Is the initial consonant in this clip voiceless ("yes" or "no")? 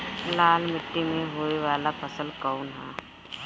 no